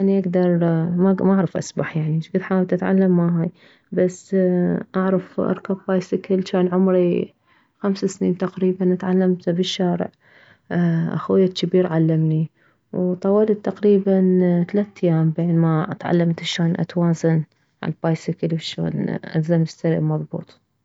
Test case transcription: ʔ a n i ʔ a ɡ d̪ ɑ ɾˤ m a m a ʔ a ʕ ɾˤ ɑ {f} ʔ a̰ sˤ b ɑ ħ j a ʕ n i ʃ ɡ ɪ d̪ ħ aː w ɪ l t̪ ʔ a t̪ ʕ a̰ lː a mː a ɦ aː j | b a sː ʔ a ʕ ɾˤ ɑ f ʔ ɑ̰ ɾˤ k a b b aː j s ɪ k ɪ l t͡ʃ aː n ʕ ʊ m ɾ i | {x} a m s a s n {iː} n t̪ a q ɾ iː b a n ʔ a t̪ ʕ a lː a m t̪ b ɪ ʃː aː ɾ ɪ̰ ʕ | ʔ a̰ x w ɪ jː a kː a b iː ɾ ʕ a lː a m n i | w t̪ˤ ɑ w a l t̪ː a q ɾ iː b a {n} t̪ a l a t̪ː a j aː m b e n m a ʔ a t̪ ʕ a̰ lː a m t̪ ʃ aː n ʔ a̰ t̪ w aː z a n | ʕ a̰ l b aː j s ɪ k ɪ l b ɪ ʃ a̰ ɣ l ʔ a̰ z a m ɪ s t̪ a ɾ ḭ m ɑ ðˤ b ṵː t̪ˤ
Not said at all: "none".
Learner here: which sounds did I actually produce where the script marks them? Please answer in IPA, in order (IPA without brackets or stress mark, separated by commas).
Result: f, x, iː, n